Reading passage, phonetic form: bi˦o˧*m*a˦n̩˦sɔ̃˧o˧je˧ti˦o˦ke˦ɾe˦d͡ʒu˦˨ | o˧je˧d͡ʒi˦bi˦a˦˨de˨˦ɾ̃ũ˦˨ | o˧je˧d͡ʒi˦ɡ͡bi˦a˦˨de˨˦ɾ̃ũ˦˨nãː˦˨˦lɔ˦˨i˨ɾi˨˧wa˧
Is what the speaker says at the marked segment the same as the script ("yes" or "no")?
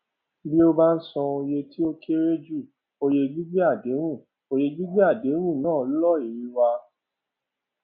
no